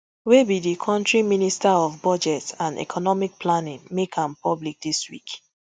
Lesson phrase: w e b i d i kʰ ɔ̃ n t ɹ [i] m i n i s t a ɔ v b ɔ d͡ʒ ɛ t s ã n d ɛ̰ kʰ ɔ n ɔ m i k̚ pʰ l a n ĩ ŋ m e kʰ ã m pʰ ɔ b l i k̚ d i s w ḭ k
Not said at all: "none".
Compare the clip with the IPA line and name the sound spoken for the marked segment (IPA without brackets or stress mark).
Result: i